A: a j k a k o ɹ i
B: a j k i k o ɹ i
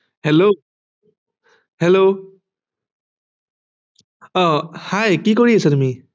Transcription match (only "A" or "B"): B